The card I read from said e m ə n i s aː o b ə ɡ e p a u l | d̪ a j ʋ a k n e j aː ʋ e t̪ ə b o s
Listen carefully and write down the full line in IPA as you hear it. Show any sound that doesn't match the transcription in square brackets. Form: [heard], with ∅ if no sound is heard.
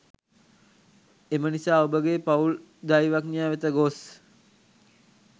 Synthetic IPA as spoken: e m ə n i s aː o b ə ɡ e p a u l | d̪ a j ʋ a k n [i] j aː ʋ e t̪ ə [ɡ] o s